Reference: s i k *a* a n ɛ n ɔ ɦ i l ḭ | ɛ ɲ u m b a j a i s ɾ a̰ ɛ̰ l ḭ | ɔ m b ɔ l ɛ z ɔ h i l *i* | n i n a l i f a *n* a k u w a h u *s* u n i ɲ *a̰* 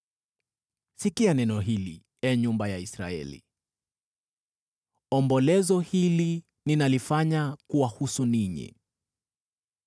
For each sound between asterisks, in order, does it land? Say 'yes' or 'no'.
no, yes, no, yes, no

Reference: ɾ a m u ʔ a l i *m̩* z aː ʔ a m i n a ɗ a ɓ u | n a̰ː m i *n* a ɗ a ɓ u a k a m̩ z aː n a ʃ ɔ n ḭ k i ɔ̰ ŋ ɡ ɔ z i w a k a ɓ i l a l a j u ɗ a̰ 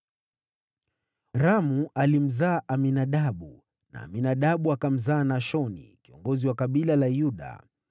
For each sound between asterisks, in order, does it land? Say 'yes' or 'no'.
yes, yes

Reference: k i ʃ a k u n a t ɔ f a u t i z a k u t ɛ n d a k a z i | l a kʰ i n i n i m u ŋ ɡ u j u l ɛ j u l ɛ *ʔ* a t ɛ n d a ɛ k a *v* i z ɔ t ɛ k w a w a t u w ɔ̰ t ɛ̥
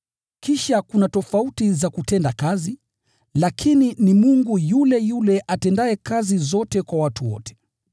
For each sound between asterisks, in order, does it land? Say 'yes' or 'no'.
yes, no

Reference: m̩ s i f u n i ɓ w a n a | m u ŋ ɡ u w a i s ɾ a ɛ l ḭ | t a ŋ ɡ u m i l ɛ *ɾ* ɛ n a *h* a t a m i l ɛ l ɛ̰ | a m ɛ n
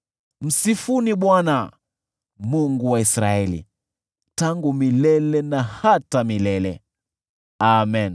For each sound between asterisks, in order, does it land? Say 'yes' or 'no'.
no, yes

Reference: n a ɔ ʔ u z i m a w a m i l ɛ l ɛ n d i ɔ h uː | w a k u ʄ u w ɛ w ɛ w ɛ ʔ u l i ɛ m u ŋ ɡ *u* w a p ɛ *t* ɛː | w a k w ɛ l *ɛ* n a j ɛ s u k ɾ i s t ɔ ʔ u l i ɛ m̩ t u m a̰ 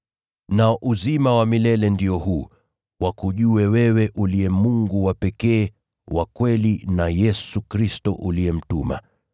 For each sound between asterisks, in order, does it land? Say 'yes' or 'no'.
yes, no, no

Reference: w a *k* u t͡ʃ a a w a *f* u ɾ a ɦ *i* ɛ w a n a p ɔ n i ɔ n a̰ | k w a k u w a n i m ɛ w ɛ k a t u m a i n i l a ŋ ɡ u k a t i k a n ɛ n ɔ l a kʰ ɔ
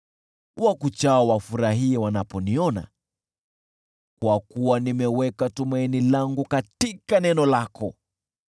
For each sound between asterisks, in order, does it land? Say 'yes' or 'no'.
yes, yes, yes

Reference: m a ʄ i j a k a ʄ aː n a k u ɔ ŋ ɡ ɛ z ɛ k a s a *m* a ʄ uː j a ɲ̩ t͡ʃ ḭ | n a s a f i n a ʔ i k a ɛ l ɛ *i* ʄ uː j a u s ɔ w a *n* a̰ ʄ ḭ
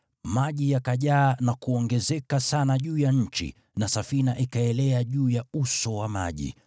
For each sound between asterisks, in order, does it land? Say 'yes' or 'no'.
no, no, no

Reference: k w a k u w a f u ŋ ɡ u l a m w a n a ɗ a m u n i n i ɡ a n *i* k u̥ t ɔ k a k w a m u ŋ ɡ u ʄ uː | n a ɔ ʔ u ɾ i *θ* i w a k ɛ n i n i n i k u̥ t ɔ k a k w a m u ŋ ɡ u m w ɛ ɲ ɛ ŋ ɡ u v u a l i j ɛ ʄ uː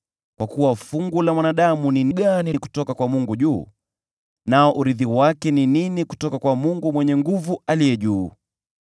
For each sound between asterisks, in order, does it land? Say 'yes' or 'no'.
yes, no

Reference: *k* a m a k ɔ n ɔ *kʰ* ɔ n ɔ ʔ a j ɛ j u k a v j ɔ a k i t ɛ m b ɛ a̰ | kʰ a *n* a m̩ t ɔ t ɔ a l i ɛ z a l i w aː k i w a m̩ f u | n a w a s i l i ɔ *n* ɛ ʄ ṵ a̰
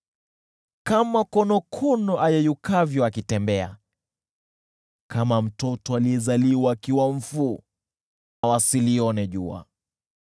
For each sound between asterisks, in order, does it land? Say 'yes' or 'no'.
yes, yes, no, yes

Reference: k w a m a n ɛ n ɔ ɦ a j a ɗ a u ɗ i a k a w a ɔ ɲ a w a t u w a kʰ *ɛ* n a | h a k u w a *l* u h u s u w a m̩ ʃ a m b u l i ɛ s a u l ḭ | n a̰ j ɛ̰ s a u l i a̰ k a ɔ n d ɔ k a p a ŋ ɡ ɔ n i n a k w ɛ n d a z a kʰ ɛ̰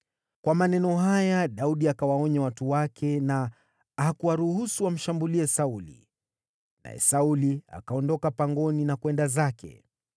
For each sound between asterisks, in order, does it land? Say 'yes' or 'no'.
yes, no

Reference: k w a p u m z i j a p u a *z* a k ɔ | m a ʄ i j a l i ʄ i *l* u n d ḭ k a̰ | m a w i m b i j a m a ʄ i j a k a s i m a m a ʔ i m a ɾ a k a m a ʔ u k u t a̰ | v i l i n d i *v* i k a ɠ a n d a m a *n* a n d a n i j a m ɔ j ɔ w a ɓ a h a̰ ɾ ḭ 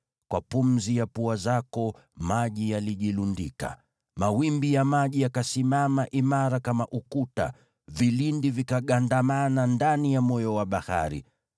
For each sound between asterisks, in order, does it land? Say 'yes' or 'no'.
yes, yes, yes, yes

